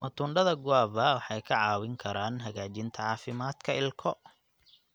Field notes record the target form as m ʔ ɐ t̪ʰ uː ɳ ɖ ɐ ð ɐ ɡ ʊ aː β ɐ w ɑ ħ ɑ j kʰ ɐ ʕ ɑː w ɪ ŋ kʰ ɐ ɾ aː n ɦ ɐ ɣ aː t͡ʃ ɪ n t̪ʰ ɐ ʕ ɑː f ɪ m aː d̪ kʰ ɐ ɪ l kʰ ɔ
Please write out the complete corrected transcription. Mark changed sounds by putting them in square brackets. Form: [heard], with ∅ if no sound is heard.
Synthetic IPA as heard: m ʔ ɐ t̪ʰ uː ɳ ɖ ɐ ð ɐ ɡ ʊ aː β ɐ w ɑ ħ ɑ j kʰ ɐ ʕ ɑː w ɪ ŋ kʰ ɐ ɾ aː n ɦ ɐ ɣ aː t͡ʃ ɪ n t̪ʰ ɐ ʕ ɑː f ɪ m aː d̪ kʰ ɐ ɪ l kʰ ɔ

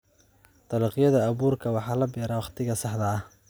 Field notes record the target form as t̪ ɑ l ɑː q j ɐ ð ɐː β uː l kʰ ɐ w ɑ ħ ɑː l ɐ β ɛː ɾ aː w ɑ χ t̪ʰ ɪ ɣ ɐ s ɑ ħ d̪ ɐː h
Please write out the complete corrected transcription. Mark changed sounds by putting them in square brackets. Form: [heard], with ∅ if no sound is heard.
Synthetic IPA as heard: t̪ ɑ l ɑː q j ɐ ð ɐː β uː [r] kʰ ɐ w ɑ ħ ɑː l ɐ [b] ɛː ɾ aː w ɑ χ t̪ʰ ɪ ɣ ɐ s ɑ ħ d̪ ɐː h

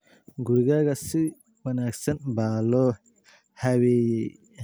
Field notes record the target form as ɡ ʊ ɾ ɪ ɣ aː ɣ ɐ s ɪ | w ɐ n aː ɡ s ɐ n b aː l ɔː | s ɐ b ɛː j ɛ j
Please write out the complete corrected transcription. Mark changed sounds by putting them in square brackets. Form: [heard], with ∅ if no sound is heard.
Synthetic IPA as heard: ɡ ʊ ɾ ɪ ɣ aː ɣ ɐ s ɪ | w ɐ n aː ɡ s ɐ n b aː l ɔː | [h] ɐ [w] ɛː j ɛ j

